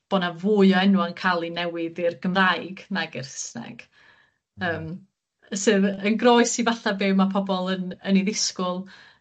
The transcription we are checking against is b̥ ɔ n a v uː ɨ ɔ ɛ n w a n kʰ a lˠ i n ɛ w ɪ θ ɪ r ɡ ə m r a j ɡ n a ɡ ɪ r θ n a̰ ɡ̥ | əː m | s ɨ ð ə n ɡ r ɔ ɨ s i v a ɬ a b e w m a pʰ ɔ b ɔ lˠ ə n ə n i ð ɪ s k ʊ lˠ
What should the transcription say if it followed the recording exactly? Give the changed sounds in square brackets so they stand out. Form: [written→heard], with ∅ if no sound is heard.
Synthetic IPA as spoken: b̥ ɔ n a v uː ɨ ɔ ɛ n w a n kʰ a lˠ i n ɛ w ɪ [θ→ð] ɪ r ɡ ə m r a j ɡ n a ɡ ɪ r [θ→s] n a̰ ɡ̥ | əː m | s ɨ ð ə n ɡ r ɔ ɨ s i v a ɬ a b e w m a pʰ ɔ b ɔ lˠ ə n ə n i ð ɪ s k ʊ lˠ